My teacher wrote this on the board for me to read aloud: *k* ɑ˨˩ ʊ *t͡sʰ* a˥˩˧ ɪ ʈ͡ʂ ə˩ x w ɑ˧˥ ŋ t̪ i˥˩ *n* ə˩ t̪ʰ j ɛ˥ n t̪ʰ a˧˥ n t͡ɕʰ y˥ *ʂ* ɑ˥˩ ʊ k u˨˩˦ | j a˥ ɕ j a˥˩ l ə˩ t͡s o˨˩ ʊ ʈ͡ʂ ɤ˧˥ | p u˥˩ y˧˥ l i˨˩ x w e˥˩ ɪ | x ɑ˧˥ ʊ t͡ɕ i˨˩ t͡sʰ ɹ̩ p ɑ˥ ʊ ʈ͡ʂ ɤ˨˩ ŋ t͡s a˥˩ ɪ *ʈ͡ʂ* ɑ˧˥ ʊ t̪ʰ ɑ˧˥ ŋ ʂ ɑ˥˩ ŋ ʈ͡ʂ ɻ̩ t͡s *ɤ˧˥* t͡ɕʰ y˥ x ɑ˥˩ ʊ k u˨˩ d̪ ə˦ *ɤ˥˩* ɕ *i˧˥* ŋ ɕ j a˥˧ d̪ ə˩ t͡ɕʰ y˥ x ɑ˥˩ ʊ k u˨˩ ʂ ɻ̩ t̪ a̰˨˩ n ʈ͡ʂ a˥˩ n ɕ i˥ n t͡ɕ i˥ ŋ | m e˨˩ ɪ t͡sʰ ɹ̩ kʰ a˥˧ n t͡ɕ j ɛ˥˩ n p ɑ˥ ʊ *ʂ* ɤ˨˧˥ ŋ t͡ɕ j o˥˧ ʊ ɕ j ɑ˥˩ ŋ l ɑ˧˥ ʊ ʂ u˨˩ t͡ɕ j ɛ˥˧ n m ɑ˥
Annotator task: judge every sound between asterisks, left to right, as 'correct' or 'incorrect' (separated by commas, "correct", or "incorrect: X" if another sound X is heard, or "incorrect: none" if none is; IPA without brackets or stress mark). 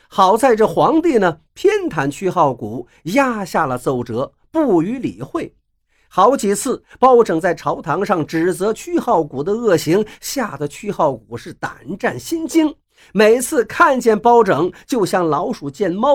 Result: incorrect: x, incorrect: t͡s, correct, incorrect: x, incorrect: ʈ͡ʂʰ, correct, correct, correct, incorrect: ʈ͡ʂ